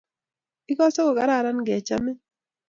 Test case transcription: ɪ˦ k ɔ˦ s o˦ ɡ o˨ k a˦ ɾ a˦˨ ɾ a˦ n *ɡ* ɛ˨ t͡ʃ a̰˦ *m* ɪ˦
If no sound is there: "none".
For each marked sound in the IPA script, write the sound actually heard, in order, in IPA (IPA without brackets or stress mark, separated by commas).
ɡ, m